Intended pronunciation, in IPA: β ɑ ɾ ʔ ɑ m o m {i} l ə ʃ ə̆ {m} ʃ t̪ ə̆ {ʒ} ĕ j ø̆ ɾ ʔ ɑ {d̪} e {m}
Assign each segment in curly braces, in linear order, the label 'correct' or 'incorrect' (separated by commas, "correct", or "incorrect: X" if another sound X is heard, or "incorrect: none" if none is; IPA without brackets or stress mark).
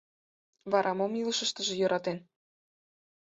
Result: correct, incorrect: none, correct, incorrect: t̪, incorrect: n